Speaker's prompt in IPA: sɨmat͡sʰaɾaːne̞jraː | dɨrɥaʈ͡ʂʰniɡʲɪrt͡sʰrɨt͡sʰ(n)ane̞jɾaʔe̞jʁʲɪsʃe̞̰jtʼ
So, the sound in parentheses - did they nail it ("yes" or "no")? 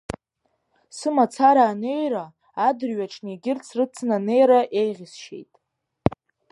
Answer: yes